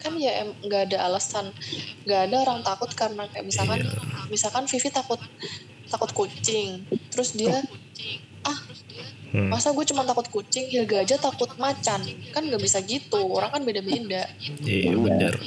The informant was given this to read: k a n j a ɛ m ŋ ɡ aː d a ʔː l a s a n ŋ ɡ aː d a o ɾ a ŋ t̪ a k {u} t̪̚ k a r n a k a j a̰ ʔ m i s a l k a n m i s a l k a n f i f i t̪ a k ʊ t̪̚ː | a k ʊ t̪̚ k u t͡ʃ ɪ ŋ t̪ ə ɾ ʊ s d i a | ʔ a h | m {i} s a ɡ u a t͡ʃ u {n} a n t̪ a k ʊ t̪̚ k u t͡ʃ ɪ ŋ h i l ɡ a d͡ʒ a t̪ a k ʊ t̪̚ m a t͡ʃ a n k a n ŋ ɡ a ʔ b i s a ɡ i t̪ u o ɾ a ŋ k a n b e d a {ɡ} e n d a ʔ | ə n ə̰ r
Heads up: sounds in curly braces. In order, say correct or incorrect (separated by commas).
incorrect, incorrect, incorrect, incorrect